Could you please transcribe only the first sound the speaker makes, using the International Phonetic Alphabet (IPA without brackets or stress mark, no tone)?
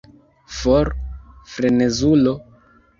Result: f